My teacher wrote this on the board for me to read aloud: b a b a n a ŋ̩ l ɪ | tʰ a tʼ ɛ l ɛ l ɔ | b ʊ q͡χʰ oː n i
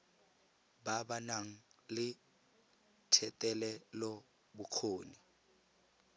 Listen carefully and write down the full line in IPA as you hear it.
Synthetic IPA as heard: b a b a n a ŋ̩ l ɪ | tʰ ɛ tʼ ɛ l ɛ l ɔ | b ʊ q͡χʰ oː n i